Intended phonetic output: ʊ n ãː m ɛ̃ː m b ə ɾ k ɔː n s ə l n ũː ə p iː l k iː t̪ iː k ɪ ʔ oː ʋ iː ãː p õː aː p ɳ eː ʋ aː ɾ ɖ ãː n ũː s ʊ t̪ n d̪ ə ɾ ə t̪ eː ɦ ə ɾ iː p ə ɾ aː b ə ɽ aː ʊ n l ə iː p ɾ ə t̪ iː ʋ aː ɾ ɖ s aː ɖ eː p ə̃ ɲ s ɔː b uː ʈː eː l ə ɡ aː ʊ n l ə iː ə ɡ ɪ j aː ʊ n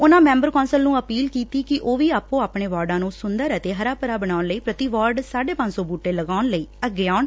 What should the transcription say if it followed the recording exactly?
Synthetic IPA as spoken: ʊ n ãː m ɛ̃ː m b ə ɾ k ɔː n s ə l n ũː ə p iː l k iː t̪ iː k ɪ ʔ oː ʋ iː aː p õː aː p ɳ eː ʋ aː ɾ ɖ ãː n ũː s ʊ n d̪ ə ɾ ə t̪ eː ɦ ə ɾ aː p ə ɾ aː b ə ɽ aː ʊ n l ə iː p ɾ ə t̪ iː ʋ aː ɾ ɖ s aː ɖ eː p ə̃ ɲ s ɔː b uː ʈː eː l ə ɡ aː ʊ n l ə iː ə ɡ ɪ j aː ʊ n